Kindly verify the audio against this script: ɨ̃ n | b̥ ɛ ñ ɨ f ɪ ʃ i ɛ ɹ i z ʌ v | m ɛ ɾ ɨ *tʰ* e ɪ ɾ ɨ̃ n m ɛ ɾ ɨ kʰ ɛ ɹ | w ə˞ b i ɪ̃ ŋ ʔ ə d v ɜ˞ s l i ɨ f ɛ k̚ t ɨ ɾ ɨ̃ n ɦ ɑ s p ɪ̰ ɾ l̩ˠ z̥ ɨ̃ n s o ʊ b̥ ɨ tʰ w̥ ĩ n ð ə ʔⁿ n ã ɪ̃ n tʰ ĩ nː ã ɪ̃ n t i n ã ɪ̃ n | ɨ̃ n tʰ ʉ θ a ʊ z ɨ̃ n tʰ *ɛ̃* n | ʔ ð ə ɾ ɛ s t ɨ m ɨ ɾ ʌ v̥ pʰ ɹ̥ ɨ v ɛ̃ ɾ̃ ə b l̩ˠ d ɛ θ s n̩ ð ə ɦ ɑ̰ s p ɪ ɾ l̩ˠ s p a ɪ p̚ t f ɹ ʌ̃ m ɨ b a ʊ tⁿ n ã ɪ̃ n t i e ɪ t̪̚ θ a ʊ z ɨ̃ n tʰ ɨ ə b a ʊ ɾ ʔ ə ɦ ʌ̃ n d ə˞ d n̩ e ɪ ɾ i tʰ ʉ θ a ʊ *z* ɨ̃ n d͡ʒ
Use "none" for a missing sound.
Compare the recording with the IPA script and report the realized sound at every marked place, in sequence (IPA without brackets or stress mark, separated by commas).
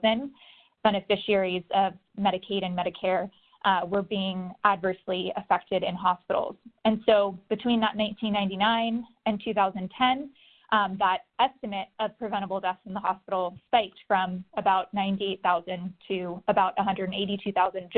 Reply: kʰ, ɛ̃, z